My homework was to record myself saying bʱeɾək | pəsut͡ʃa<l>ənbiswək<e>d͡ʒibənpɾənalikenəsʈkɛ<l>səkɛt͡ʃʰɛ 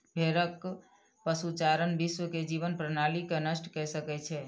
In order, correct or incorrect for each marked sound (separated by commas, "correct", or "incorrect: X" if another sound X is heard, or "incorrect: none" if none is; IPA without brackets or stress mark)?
incorrect: ɾ, correct, incorrect: none